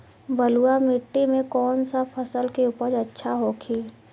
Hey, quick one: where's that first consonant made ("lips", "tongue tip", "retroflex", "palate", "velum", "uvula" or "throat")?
lips